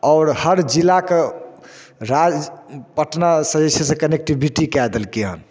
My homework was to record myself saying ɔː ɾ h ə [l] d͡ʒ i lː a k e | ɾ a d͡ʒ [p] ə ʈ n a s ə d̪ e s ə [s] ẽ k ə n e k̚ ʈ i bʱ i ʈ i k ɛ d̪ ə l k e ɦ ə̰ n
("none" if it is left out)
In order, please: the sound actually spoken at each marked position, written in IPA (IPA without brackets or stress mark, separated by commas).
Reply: ɾ, p, s